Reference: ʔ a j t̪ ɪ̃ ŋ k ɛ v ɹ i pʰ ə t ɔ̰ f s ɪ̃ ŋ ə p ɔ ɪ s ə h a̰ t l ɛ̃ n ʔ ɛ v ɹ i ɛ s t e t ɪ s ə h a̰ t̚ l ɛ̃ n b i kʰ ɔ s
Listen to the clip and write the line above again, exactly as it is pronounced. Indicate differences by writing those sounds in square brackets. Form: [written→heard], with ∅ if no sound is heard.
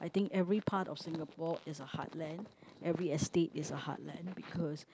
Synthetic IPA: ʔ a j t̪ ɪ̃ ŋ k ɛ v ɹ i pʰ [ə→a] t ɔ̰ f s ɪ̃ ŋ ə p ɔ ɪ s ə h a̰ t l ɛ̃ n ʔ ɛ v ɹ i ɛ s t e t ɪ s ə h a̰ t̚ l ɛ̃ n b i kʰ ɔ s